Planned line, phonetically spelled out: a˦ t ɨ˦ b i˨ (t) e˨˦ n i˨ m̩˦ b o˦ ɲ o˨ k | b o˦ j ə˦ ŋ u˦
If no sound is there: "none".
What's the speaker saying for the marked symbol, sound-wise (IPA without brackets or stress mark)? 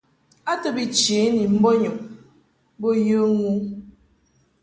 t͡ʃ